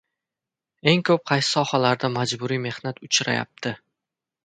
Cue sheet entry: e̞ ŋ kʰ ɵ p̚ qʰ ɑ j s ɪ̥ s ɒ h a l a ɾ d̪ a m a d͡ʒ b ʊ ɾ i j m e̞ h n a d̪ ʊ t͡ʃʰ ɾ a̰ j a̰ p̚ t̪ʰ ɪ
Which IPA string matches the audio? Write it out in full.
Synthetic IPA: e̞ ŋ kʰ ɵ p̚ qʰ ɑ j s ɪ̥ s ɒ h a l a ɾ d̪ a m a d͡ʒ b ʊ ɾ i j m e̞ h n a t̪ ʊ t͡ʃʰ ɾ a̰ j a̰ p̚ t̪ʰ ɪ